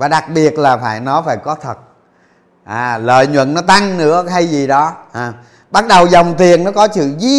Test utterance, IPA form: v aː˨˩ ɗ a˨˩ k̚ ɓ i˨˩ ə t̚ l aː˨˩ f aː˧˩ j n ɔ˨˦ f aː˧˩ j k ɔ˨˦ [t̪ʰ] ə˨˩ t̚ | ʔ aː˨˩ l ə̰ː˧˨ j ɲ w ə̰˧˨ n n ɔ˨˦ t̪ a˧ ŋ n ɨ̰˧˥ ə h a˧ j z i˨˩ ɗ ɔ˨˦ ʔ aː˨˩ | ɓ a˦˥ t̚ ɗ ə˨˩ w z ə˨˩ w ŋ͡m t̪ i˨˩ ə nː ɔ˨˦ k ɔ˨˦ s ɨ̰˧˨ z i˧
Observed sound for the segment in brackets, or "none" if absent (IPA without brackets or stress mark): t̪ʰ